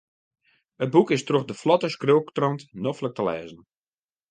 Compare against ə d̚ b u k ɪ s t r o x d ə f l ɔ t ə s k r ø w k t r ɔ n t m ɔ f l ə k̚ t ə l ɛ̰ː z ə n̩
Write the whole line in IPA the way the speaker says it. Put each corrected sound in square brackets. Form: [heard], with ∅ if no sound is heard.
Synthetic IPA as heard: ə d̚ b u k ɪ s t r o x d ə f l ɔ t ə s k r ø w k t r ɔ n t [n] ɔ f l ə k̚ t ə l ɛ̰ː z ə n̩